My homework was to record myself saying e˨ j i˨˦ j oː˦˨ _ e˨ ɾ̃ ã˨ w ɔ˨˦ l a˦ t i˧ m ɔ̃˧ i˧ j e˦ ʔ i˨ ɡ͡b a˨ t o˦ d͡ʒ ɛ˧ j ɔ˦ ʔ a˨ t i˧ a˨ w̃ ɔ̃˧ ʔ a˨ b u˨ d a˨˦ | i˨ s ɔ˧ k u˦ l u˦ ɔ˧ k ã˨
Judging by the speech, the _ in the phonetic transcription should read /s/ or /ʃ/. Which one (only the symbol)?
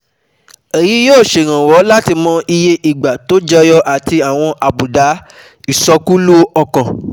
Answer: ʃ